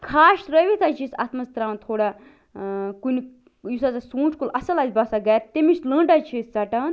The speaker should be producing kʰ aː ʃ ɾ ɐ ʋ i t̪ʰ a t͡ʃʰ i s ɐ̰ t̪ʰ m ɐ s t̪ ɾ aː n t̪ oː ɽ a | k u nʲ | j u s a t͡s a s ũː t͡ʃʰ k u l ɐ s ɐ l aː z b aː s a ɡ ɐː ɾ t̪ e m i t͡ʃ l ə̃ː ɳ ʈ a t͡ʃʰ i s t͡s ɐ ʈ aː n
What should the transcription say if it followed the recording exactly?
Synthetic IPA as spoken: kʰ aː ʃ ɾ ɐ ʋ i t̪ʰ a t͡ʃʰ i s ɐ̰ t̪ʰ m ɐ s t̪ ɾ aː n t̪ʰ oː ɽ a | k u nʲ | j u s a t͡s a s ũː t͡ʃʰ k u l ɐ s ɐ l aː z b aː s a ɡ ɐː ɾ t̪ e m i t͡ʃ l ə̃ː ɳ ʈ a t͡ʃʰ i s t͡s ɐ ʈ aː n